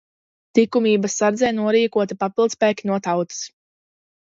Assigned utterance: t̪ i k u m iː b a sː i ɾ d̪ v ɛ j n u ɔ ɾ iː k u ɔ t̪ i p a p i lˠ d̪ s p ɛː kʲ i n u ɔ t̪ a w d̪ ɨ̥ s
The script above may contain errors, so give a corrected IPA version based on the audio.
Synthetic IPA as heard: t̪ i k u m iː b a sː a ɾ d̪ z ɛ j n u ɔ ɾ iː k u ɔ t̪ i p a p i lˠ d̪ s p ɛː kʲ i n u ɔ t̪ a w t̪ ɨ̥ s